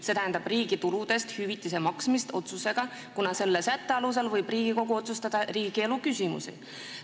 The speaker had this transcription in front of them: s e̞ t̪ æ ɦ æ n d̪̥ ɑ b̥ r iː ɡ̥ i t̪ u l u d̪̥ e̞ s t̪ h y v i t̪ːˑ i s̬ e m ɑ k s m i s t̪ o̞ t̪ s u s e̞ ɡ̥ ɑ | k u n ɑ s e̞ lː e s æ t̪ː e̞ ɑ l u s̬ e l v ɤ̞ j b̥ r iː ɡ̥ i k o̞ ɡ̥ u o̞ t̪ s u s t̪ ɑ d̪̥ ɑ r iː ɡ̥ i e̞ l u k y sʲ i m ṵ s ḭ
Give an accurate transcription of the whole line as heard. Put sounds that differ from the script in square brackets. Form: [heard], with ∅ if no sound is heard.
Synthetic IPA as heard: s e̞ t̪ æ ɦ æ n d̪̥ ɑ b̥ r iː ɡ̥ i t̪ u l u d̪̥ e̞ s t̪ h y v i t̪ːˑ i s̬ e m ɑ k s m i s t̪ o̞ t̪ s u s e̞ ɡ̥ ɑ | k u n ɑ s e̞ lː e s æ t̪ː e̞ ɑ l u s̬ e l v ɤ̞ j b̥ r iː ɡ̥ i k o̞ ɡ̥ u o̞ t̪ s u s t̪ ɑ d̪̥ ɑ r iː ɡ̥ i e̞ l u k y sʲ i m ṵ s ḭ